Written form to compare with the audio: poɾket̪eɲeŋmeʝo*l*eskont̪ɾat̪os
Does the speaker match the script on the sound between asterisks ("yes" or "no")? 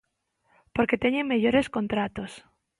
no